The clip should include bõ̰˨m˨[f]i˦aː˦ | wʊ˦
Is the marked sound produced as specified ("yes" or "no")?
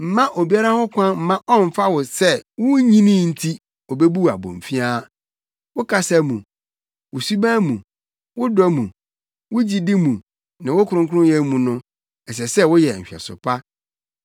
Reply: yes